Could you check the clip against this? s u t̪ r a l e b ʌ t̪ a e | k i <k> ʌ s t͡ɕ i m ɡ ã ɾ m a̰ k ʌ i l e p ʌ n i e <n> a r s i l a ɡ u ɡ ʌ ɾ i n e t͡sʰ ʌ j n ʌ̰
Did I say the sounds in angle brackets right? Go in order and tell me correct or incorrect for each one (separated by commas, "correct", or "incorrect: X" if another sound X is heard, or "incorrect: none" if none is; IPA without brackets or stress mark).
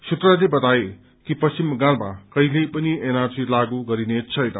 incorrect: p, correct